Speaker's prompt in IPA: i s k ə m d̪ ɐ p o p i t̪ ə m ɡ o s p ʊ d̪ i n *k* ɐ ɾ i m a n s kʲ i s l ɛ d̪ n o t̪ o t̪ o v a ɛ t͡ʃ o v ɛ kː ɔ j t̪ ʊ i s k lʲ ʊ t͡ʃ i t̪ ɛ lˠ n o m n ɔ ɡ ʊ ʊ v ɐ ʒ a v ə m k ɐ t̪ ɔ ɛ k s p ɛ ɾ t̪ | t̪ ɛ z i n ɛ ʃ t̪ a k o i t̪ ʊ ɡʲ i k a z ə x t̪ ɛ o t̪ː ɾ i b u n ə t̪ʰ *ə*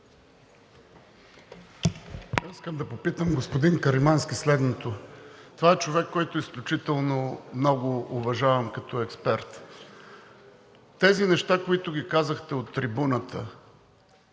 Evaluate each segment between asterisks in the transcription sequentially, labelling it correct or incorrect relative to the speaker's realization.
correct, correct

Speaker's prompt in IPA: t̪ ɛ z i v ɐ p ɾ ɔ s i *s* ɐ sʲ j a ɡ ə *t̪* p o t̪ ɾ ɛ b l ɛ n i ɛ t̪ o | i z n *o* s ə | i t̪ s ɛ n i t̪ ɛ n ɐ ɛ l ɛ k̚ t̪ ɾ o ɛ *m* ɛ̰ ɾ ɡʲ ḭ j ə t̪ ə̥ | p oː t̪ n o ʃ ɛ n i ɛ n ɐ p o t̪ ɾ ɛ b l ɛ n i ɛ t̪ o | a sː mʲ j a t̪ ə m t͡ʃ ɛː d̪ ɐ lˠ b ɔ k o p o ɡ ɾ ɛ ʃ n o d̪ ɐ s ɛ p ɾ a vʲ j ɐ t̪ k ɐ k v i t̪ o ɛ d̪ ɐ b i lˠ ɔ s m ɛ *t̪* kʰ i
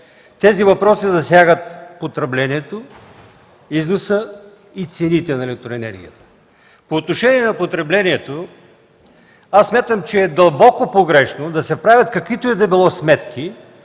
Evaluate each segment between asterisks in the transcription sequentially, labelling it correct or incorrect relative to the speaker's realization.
incorrect: z, correct, correct, incorrect: n, correct

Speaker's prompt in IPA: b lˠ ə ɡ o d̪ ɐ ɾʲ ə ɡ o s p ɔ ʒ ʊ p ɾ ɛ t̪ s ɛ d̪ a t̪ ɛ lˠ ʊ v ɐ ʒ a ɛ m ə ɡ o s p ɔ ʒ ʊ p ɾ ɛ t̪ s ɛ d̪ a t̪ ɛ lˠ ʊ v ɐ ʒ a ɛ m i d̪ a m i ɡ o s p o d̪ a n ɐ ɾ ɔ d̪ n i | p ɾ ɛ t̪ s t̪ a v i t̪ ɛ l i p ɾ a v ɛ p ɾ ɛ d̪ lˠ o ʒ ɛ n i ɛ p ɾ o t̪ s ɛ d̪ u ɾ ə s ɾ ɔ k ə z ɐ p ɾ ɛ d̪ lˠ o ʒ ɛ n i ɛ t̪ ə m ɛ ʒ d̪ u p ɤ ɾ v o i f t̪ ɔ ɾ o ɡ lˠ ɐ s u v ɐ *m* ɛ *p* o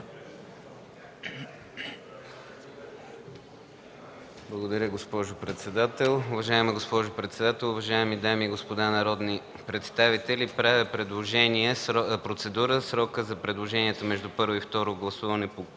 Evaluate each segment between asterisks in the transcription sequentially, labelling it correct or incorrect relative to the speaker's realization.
incorrect: n, correct

